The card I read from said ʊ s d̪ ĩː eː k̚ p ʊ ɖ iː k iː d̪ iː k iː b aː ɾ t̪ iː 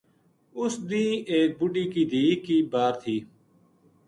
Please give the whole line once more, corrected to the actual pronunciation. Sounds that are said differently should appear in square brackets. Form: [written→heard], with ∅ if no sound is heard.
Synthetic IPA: ʊ s d̪ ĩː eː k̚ [p→b] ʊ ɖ iː k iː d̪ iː k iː b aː ɾ [t̪→t̪ʰ] iː